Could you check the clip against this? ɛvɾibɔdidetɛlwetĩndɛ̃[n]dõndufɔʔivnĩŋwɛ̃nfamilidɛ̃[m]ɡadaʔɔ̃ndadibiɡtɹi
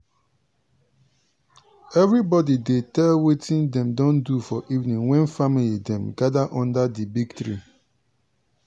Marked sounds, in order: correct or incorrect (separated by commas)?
incorrect, correct